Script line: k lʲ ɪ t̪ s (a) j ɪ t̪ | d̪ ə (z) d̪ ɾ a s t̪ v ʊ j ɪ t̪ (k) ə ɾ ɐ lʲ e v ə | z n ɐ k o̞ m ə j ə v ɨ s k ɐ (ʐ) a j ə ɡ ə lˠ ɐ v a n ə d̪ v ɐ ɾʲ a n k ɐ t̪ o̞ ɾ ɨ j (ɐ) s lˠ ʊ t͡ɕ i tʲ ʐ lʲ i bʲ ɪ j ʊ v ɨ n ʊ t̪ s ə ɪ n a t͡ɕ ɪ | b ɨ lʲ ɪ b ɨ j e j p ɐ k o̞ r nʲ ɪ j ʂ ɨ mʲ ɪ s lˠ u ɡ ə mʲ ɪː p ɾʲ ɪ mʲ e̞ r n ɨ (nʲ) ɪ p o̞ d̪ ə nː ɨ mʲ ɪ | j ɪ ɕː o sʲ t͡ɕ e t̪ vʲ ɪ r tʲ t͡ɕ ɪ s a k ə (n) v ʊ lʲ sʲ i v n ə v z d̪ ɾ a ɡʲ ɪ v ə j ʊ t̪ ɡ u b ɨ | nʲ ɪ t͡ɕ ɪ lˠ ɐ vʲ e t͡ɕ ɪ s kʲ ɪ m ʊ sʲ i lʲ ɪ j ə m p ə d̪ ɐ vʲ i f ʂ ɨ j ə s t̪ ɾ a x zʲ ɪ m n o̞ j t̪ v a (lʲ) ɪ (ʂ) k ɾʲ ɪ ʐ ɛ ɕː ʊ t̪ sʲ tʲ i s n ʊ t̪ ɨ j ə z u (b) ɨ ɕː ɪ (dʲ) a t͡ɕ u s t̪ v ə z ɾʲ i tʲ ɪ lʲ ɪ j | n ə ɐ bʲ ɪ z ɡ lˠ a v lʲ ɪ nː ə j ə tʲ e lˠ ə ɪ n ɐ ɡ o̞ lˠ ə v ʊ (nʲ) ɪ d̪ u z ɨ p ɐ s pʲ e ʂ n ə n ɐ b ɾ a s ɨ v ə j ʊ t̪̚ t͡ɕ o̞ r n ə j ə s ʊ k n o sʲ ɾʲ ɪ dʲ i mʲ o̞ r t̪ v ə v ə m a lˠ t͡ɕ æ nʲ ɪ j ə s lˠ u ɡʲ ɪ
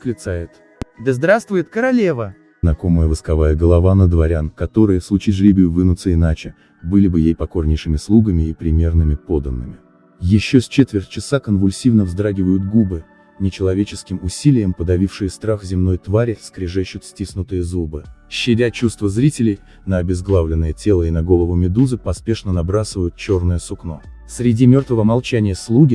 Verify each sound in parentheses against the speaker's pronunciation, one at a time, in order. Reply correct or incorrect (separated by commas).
correct, correct, correct, incorrect, incorrect, incorrect, correct, incorrect, incorrect, correct, correct, incorrect